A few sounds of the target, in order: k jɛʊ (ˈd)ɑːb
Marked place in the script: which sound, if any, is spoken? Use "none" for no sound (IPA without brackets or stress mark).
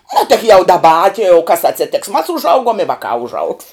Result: d